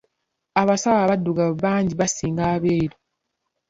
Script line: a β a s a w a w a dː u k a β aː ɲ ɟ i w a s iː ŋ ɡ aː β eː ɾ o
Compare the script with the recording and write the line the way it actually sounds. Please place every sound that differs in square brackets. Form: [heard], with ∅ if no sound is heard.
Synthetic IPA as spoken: a β a s a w a [β] a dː u [ɡ] a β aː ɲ ɟ i [β] a s iː ŋ ɡ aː β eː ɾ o